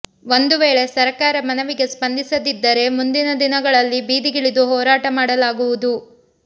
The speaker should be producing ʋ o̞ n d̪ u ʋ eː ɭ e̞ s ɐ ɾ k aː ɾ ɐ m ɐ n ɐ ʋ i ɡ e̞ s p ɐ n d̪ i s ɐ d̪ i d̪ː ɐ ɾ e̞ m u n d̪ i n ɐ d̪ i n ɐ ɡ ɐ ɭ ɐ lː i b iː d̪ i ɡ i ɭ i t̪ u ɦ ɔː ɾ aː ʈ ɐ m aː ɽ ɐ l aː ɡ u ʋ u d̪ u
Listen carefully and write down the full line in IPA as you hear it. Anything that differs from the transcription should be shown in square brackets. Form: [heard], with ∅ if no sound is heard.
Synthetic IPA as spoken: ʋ o̞ n d̪ u ʋ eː ɭ e̞ s ɐ ɾ k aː ɾ ɐ m ɐ n ɐ ʋ i ɡ e̞ s p ɐ n d̪ i s ɐ d̪ i d̪ː ɐ ɾ e̞ m u n d̪ i n ɐ d̪ i n ɐ ɡ ɐ ɭ ɐ lː i b iː d̪ i ɡ i ɭ i [d̪] u ɦ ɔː ɾ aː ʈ ɐ m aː ɽ ɐ l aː ɡ u ʋ u d̪ u